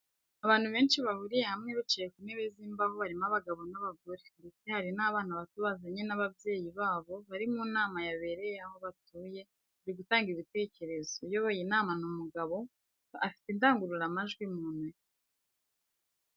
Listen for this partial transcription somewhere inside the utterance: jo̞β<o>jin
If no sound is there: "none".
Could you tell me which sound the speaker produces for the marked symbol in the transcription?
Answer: o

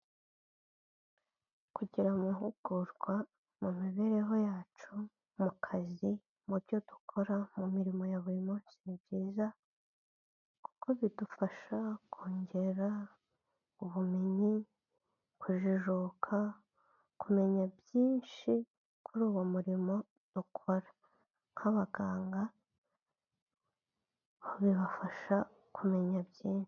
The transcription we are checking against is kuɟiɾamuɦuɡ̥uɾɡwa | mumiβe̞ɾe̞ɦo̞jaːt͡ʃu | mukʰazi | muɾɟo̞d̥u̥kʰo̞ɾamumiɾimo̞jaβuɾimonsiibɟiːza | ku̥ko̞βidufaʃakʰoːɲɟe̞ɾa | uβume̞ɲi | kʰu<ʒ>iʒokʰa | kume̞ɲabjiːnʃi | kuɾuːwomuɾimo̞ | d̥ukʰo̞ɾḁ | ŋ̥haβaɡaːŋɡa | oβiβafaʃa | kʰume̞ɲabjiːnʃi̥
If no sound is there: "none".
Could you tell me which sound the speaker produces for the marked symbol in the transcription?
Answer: ʒ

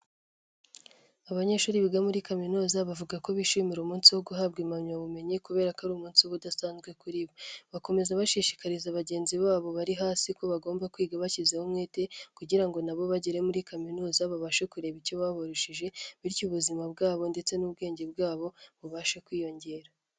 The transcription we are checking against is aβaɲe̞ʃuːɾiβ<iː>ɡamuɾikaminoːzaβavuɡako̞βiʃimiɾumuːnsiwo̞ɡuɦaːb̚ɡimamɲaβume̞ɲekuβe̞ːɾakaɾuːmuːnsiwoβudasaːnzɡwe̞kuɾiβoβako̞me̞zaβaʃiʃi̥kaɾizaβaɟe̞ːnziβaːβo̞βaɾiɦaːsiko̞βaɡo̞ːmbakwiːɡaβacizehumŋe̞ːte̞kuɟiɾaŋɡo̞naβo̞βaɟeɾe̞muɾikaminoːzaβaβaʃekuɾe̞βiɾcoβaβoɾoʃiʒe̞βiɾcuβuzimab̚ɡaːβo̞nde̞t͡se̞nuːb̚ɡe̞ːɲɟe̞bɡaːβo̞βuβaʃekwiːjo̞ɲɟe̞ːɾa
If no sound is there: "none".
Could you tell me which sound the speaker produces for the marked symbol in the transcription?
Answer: i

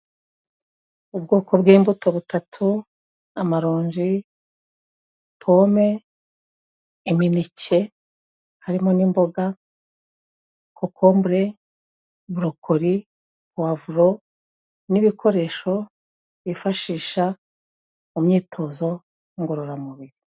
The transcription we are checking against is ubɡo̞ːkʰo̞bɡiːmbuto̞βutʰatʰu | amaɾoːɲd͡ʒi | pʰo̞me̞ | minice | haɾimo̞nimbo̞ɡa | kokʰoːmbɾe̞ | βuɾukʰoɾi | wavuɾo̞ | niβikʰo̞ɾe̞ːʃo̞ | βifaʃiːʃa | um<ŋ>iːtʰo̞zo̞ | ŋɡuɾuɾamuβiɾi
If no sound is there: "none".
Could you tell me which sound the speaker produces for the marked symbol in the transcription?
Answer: ɲ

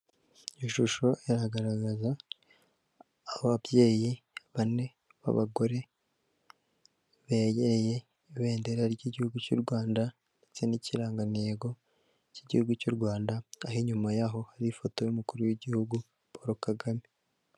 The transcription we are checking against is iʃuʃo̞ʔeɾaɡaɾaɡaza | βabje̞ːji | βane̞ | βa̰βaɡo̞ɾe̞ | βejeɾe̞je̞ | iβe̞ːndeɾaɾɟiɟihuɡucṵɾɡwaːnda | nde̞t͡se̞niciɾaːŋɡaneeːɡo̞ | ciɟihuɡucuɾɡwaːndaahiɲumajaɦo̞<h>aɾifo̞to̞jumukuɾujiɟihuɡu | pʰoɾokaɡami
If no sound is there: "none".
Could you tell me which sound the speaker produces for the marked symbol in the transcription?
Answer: h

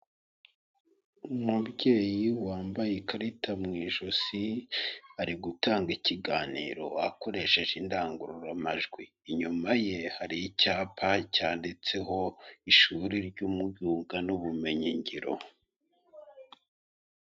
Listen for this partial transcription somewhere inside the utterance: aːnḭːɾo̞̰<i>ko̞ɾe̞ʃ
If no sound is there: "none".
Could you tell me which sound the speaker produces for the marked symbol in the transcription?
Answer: a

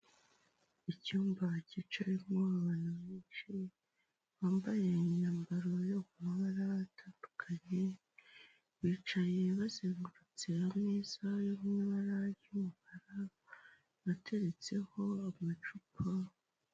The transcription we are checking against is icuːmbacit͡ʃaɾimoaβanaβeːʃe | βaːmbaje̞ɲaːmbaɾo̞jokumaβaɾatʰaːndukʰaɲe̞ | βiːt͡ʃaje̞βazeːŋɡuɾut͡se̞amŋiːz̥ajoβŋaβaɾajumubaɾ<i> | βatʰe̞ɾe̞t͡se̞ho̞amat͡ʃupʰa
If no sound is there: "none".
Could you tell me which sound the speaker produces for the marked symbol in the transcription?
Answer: a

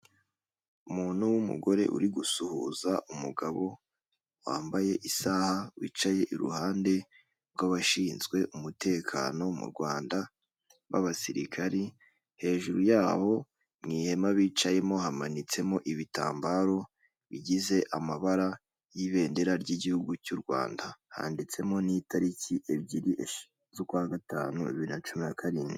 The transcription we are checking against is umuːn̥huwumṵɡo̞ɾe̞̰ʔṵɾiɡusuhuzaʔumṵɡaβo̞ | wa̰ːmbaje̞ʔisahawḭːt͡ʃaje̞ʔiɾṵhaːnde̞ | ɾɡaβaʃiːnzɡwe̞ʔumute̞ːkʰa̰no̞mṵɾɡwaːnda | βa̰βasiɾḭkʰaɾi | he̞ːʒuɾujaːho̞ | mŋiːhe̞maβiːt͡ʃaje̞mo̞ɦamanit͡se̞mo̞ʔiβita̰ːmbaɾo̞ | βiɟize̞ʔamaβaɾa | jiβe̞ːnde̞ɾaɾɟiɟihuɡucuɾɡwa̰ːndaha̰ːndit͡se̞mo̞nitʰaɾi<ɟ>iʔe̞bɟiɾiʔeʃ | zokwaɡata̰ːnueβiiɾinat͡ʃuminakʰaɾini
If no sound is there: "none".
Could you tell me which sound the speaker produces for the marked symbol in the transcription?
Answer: c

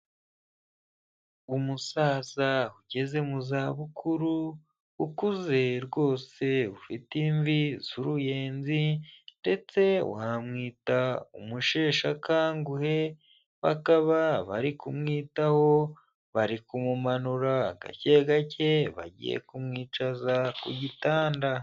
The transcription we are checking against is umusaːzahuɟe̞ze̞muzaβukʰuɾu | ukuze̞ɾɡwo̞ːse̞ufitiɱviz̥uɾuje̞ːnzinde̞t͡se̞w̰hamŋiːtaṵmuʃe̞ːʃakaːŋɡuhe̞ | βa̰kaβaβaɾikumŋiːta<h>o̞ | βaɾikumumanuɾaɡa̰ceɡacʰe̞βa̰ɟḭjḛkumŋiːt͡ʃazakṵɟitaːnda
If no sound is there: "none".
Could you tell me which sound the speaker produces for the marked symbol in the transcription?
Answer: h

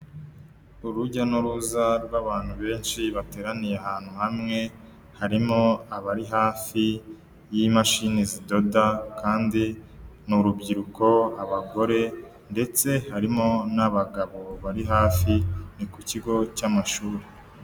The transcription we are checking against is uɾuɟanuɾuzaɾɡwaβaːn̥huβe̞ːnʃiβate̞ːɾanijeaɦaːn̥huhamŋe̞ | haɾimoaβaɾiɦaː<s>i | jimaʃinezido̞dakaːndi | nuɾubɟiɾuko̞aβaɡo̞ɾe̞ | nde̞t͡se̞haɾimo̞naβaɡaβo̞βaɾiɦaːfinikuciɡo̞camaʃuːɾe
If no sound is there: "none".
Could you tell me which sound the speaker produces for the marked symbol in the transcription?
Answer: f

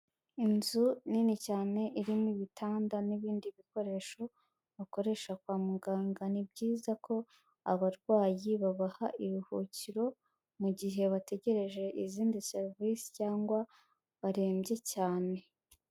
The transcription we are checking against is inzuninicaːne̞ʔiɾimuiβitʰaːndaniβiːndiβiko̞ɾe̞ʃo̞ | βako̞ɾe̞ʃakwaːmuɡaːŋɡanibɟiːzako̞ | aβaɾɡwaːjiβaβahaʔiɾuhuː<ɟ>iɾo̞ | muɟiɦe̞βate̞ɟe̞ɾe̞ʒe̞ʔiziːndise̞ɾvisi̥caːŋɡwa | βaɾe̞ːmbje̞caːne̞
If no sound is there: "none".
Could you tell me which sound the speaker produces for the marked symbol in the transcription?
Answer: c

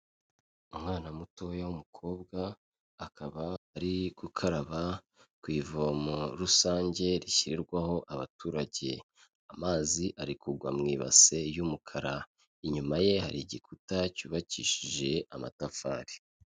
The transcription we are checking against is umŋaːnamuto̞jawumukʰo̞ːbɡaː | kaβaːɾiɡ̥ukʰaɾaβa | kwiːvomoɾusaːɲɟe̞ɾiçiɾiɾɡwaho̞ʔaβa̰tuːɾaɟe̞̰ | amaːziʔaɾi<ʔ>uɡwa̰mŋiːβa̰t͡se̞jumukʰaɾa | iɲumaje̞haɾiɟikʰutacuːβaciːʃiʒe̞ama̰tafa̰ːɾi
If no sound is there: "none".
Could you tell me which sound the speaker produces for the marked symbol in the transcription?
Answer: k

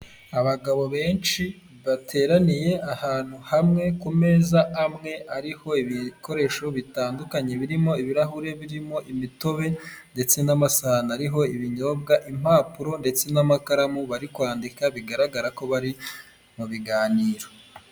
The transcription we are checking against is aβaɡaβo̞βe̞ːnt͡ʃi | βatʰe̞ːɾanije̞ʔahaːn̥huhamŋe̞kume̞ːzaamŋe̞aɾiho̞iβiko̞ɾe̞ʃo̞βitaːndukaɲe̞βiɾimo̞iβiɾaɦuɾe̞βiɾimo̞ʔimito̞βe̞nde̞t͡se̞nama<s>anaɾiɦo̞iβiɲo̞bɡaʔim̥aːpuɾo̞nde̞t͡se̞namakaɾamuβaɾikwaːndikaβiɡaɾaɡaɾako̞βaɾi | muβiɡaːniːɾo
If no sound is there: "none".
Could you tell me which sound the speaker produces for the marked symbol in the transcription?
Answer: s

